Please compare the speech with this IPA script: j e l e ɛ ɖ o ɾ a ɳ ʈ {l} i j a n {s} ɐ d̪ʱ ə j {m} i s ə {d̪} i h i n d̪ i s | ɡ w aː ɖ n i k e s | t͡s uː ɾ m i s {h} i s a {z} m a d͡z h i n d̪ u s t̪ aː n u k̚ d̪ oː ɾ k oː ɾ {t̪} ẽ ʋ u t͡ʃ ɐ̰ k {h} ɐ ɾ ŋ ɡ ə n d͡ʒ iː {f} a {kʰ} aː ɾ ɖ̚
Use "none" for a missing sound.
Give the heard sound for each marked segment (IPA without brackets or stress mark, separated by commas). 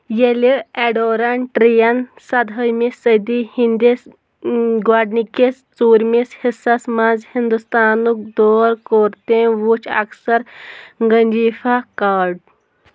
ɾ, s, m, d̪, h, s, t̪, s, f, k